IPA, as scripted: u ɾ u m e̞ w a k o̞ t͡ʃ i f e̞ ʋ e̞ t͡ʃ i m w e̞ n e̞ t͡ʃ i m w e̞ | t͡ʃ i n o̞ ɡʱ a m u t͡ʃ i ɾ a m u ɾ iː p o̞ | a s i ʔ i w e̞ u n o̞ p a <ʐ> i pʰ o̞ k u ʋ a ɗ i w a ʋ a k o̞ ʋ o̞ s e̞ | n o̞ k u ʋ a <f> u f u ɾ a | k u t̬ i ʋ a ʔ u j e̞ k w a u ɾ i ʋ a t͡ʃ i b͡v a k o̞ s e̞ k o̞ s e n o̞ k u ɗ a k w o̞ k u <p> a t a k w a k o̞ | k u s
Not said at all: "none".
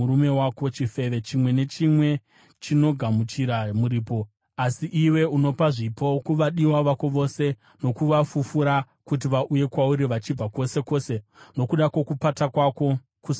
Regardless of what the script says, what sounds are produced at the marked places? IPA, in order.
ʐ, f, p

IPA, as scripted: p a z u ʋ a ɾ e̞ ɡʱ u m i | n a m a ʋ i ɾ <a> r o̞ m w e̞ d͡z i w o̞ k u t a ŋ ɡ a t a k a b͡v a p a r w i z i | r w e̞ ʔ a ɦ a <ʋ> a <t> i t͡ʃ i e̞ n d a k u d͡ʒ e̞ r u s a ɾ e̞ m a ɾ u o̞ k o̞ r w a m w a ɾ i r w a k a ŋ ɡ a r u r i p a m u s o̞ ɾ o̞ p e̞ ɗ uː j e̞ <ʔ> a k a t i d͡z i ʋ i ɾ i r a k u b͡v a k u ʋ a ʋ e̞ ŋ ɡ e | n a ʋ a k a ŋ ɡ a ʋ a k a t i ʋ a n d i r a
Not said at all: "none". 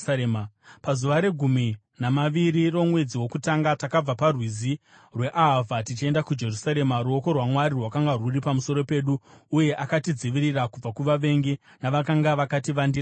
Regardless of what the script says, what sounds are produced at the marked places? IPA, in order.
i, v, t, ʔ

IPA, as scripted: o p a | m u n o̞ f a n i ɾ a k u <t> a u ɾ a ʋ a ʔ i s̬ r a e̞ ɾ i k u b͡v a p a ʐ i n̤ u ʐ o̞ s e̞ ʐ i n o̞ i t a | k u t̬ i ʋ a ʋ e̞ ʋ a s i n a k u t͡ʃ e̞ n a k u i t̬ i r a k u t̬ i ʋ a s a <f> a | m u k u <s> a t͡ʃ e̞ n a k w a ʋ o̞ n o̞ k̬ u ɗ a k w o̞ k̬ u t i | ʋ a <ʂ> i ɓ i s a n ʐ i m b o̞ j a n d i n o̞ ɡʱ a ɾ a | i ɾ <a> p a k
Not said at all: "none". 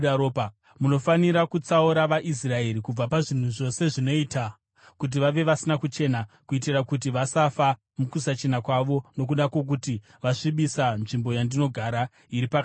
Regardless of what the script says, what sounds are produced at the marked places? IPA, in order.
t͡s, f, s, ʂ, i

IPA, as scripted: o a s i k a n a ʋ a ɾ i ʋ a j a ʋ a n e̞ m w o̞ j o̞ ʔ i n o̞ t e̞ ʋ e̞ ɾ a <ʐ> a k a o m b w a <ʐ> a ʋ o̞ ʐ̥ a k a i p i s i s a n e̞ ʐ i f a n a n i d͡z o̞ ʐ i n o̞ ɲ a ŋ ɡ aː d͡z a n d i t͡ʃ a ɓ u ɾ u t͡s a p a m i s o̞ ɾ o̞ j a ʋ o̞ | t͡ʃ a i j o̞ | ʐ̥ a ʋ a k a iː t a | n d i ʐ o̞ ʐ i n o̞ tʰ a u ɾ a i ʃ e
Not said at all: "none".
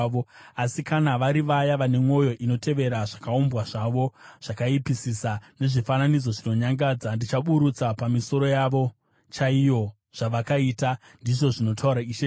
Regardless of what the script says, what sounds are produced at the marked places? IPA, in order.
ʐ, ʐ

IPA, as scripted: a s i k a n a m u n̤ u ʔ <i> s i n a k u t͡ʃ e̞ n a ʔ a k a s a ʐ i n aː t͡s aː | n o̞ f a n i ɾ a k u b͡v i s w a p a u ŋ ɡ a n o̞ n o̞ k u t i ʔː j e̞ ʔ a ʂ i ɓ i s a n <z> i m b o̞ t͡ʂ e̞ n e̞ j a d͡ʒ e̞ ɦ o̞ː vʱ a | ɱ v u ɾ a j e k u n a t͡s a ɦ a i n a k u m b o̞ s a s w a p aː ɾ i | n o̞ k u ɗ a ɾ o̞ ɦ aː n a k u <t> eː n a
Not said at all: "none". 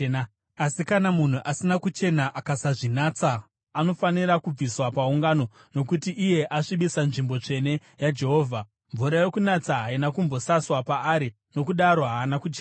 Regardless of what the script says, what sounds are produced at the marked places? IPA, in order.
a, ʐ, t͡ʃ

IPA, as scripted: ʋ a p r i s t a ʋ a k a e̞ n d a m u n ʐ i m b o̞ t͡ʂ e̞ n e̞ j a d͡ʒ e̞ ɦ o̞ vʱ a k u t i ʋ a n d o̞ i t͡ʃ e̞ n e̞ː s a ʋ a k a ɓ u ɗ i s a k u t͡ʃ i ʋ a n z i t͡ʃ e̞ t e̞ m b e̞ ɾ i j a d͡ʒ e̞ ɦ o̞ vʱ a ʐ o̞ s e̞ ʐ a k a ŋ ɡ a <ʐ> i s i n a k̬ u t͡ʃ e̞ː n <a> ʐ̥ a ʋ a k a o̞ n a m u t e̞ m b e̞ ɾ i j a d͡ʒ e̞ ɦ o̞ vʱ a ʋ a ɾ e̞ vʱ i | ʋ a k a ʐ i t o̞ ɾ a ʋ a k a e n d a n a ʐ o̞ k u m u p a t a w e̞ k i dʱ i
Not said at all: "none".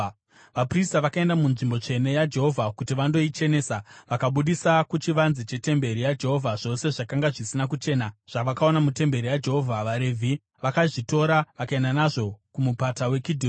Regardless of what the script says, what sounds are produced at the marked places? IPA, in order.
ʐ, a

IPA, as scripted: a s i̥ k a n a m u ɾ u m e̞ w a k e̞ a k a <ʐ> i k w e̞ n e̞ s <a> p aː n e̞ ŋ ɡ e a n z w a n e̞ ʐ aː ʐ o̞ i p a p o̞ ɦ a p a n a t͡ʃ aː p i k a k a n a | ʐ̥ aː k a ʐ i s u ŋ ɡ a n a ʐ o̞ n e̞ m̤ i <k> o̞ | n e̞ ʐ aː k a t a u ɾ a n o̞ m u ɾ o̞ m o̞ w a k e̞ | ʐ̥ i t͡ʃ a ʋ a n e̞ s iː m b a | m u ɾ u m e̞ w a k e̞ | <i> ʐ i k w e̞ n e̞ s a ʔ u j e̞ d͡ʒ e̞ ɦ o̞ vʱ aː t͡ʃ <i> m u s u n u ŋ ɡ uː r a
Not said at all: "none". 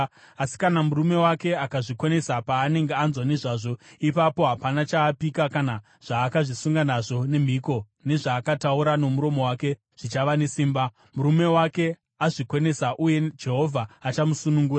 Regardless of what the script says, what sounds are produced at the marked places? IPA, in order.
ʐ, a, k, a, a

